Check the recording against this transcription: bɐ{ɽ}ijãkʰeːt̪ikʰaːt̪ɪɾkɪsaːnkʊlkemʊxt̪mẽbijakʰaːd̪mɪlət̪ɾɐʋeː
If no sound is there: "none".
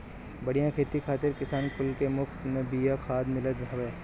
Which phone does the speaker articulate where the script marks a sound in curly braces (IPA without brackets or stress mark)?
ɽ